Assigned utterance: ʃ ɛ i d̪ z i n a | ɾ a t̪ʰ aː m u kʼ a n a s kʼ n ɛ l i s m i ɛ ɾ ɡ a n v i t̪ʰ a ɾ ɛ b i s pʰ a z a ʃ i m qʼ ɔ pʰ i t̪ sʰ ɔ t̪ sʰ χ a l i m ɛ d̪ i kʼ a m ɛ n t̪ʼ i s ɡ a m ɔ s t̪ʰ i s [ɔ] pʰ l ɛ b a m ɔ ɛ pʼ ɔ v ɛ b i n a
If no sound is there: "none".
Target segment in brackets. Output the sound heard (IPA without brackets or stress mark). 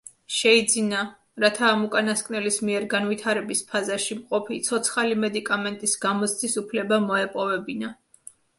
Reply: u